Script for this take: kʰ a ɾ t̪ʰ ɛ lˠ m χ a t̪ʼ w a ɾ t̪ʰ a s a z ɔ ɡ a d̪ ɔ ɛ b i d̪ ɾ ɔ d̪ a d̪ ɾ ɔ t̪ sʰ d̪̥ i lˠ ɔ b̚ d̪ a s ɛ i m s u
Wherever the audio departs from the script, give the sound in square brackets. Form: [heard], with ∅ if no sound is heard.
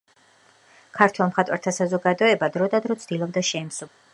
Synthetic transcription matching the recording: kʰ a ɾ t̪ʰ ɛ lˠ m χ a t̪ʼ w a ɾ t̪ʰ a s a z ɔ ɡ a d̪ ɔ ɛ b [a] d̪ ɾ ɔ d̪ a d̪ ɾ ɔ t̪ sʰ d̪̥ i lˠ ɔ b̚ d̪ a [ʃ] ɛ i m s u